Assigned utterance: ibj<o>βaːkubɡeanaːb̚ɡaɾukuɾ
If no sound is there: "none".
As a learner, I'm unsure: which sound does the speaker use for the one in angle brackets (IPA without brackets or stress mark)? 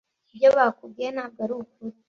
o